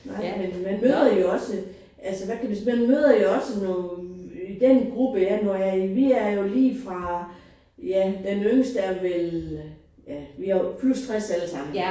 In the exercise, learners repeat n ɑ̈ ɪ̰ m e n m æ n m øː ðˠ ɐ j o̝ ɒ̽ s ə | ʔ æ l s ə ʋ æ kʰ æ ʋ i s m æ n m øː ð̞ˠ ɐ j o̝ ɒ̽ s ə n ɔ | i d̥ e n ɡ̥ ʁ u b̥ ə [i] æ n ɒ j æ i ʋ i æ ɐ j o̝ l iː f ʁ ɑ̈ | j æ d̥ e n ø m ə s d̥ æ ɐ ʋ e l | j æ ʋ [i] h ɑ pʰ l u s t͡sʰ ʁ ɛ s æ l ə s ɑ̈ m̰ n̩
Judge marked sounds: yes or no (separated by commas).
no, yes